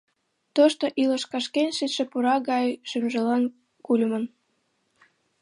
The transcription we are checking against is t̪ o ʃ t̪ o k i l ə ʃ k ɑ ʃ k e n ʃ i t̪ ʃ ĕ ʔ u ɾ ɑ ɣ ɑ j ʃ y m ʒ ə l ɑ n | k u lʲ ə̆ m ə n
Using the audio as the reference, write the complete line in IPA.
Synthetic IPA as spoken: t̪ o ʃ t̪ o ʔ i l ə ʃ k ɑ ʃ k e n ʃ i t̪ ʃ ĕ p u ɾ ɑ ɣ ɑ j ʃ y m ʒ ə l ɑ n | k u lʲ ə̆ m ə n

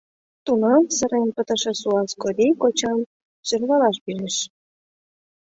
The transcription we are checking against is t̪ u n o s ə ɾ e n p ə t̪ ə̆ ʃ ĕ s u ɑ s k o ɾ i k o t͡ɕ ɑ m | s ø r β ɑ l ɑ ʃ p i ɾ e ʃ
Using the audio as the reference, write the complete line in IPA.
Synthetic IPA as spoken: t̪ u n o s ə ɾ e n p ə t̪ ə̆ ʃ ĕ s u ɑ s k o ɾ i k o t͡ɕ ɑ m | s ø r β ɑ l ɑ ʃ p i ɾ e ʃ

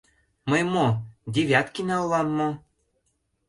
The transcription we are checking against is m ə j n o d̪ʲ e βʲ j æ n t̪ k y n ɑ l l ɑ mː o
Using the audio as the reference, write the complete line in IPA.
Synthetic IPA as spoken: m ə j m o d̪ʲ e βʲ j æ t̪ k i n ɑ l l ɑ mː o

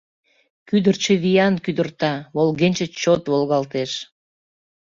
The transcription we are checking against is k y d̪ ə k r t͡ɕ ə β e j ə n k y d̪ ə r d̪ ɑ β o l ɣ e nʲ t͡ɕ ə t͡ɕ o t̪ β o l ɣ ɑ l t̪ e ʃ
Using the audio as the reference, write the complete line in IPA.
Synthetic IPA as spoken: k y d̪ ə r t͡ɕ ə β i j ɑ n k y d̪ ə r t̪ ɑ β o l ɣ e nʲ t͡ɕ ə t͡ɕ o t̪ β o l ɣ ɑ l t̪ e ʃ

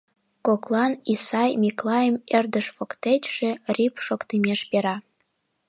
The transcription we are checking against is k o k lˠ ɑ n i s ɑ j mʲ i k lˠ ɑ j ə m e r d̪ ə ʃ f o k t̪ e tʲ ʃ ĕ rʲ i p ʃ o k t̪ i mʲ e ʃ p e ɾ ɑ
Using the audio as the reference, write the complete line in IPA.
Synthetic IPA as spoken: k o k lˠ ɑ n i s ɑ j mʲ i k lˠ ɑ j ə m e r d̪ ə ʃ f o k t̪ e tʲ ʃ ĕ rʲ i p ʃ o k t̪ i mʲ e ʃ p e ɾ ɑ

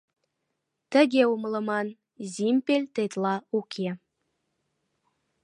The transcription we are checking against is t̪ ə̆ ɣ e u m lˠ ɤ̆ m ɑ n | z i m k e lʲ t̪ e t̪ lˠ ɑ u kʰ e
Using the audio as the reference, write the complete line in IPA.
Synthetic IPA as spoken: t̪ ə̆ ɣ e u m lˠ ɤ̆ m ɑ n | z i m p e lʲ t̪ e t̪ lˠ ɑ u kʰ e

